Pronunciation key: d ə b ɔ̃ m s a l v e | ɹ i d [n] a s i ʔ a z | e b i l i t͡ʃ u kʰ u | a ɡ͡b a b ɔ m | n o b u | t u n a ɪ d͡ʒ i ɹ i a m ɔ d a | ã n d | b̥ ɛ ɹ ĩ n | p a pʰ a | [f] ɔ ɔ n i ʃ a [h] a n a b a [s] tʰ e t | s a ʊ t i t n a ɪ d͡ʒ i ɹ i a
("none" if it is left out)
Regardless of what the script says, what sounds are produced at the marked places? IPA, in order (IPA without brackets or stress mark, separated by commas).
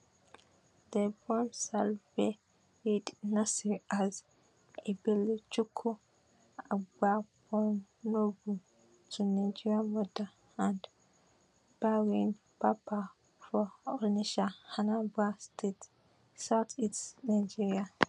n, f, h, s